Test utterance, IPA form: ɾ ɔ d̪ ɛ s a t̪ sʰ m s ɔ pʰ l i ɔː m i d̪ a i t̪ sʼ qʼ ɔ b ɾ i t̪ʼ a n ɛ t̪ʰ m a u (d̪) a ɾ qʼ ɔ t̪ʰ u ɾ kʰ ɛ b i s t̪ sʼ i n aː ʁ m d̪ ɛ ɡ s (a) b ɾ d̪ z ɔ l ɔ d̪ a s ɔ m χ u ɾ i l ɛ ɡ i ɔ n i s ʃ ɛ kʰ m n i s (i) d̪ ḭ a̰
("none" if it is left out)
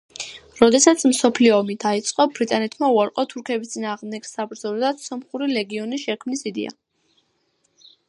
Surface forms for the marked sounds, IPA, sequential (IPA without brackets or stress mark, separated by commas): none, a, i